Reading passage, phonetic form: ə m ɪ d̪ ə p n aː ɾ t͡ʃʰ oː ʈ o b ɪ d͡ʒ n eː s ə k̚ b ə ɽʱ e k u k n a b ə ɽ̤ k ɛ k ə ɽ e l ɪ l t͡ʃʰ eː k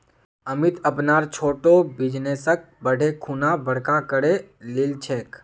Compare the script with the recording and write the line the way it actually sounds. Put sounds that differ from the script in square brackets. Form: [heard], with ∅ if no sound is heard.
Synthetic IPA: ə m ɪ [t̪] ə p n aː ɾ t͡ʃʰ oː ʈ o b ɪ d͡ʒ n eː s ə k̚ b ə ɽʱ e [kʰ] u [∅] n a b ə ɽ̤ k [a] k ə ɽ e l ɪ l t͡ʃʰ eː k